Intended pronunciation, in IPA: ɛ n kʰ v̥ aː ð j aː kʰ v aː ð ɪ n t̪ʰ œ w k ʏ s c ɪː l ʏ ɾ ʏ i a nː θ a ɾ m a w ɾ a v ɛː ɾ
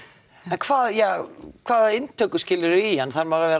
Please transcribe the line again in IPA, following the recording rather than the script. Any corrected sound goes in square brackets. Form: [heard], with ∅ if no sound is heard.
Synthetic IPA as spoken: ɛ n kʰ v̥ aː ð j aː kʰ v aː ð ɪ n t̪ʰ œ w k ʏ s c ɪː l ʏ ɾ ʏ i a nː θ a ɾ m a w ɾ a v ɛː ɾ